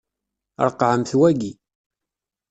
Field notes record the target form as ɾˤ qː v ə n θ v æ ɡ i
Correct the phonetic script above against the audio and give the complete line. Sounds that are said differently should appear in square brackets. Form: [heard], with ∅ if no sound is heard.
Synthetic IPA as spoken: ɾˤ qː [ʕ] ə [m] θ [w] æ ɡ i